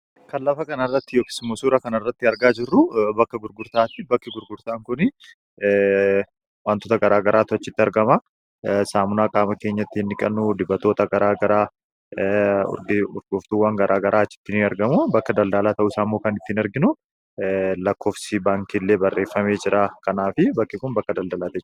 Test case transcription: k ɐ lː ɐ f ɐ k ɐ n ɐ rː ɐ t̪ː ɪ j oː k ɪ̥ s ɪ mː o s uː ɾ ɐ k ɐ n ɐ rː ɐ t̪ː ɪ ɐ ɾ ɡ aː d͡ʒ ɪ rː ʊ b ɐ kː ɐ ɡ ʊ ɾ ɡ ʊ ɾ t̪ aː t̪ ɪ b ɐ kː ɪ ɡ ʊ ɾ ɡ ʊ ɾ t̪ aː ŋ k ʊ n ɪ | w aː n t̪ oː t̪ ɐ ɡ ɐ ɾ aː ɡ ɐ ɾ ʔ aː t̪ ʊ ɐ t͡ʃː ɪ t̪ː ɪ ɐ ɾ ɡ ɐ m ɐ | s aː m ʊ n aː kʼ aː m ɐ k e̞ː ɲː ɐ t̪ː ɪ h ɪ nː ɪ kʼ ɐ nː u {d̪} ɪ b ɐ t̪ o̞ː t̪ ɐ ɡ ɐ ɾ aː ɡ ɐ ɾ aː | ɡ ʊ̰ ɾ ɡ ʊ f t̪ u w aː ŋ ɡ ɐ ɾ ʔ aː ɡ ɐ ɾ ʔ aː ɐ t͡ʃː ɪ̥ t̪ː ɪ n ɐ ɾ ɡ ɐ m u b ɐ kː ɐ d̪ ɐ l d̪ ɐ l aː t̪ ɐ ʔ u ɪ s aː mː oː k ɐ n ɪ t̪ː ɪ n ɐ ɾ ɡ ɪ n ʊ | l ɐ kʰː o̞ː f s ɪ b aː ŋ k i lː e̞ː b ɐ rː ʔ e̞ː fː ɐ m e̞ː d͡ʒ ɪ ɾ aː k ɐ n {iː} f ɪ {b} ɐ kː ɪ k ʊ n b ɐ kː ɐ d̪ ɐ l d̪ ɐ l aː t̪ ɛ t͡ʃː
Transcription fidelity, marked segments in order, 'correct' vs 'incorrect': correct, incorrect: aː, correct

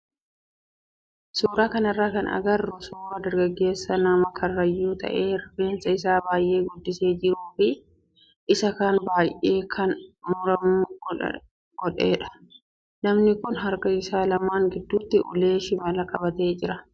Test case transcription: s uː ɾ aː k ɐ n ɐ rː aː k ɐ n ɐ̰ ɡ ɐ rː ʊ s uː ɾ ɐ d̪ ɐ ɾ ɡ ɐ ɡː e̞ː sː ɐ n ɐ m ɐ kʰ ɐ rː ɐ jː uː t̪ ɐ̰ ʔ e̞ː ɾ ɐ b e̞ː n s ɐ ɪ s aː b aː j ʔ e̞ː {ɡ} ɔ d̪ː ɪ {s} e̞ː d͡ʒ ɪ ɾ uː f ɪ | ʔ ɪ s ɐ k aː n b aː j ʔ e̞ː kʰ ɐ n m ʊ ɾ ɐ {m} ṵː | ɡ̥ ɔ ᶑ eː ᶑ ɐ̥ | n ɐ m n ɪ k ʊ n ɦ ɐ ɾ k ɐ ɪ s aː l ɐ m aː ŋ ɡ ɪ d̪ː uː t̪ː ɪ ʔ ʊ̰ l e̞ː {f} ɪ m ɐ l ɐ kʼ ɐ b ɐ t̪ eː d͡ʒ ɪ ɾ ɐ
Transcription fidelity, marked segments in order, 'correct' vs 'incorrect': correct, correct, correct, incorrect: ʃ

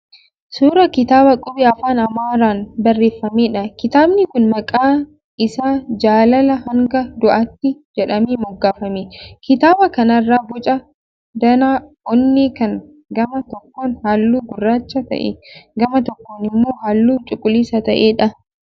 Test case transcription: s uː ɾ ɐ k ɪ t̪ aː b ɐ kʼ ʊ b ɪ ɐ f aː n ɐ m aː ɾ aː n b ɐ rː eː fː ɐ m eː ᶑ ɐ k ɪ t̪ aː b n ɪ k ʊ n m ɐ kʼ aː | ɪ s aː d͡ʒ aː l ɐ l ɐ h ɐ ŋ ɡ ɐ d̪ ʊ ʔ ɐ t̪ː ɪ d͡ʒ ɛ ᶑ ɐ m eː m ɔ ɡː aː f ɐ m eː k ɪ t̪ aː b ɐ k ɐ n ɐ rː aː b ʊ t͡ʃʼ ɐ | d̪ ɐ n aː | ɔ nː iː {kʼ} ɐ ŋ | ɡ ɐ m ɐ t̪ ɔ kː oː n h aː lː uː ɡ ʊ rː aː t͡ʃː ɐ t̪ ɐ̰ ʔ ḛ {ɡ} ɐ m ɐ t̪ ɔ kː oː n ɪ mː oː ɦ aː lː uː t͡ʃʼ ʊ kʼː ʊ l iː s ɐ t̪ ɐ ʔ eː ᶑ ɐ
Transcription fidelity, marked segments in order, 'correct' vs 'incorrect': incorrect: k, correct

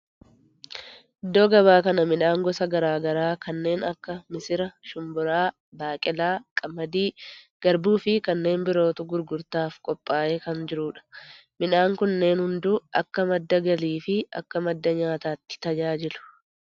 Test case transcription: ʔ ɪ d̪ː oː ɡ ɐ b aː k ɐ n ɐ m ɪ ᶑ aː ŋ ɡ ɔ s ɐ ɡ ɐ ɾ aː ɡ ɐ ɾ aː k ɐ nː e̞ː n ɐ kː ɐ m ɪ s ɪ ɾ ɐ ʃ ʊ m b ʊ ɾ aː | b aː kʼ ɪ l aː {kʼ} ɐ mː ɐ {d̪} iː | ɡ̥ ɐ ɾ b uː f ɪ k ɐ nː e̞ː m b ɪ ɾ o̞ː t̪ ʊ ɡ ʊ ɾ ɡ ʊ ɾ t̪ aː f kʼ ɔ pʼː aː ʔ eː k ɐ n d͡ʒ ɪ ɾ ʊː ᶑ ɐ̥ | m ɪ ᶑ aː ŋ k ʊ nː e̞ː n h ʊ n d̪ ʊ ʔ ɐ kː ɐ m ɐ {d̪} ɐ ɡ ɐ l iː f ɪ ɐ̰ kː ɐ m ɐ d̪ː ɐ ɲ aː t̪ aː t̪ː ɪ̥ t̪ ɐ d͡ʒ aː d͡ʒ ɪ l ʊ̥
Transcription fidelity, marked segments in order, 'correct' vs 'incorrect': correct, correct, incorrect: d̪ː

